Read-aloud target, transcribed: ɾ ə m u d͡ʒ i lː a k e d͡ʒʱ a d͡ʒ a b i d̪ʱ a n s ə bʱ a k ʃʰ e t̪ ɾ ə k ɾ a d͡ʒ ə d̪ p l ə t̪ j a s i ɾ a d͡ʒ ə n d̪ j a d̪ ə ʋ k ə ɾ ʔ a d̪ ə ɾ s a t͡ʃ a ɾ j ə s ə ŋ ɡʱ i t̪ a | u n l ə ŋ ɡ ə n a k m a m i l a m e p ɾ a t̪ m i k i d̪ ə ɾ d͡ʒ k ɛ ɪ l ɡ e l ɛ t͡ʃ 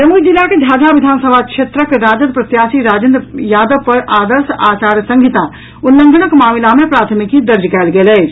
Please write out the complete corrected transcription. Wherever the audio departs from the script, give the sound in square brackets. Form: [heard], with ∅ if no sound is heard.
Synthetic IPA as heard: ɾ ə m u d͡ʒ i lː a k e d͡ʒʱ a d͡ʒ a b i d̪ʱ a n s ə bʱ a k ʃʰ e t̪ ɾ ə k ɾ a d͡ʒ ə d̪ p [ɾ] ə t̪ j a s i ɾ a d͡ʒ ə n d̪ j a d̪ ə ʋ [p] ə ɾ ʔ a d̪ ə ɾ s a t͡ʃ a ɾ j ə s ə ŋ ɡʱ i t̪ a | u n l ə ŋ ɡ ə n [ə] k m a m i l a m e p ɾ a [t̪ʰ] m i k i d̪ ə ɾ d͡ʒ k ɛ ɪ l ɡ e l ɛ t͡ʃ